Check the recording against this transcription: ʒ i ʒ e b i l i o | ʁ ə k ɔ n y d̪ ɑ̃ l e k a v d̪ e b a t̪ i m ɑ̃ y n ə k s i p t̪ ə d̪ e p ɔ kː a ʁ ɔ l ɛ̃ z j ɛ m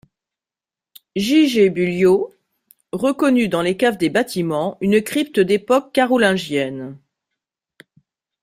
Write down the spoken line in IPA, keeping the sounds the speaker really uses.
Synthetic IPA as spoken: ʒ i ʒ e b y l j o | ʁ ə k ɔ n y d̪ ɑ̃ l e k a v d̪ e b a t̪ i m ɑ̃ y n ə k χ i p t̪ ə d̪ e p ɔ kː a ʁ ɔ l ɛ̃ ʒ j ɛ n